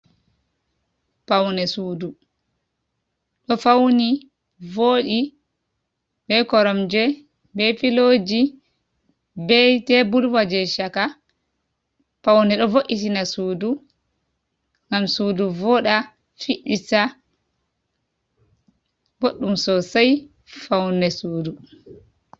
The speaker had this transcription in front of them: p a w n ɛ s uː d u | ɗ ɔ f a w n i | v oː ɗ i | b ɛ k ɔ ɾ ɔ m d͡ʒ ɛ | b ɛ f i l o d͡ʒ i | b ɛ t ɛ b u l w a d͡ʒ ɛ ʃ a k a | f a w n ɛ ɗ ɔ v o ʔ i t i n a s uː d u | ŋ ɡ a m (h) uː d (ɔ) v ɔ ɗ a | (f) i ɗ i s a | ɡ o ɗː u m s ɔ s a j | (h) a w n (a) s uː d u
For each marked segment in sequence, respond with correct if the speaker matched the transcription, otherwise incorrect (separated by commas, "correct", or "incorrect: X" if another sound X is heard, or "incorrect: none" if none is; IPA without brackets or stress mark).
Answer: incorrect: s, incorrect: u, correct, incorrect: f, incorrect: ɛ